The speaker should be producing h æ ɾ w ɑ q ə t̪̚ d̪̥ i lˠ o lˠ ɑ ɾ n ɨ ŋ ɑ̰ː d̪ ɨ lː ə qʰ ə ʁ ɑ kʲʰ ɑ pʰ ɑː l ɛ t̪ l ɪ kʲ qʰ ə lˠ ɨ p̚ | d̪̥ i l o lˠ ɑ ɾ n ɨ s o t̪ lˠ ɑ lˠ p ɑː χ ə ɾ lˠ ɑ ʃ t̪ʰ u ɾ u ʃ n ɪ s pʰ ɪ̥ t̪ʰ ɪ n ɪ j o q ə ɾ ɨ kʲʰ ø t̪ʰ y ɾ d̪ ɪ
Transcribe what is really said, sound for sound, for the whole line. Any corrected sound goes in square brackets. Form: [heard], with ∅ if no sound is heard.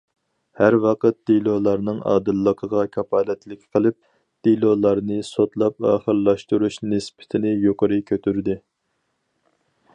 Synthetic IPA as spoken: h æ ɾ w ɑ q ə t̪̚ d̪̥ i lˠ o lˠ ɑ ɾ n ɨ ŋ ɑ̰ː d̪ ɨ lː ə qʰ ə ʁ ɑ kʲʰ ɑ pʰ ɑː l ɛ t̪ l ɪ kʲ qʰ ə lˠ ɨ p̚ | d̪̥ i l o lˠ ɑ ɾ n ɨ s o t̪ lˠ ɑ [∅] p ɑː χ ə ɾ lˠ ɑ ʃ [t̪] u ɾ u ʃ n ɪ s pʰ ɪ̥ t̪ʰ ɪ n ɪ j o q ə ɾ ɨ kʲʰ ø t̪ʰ y ɾ d̪ ɪ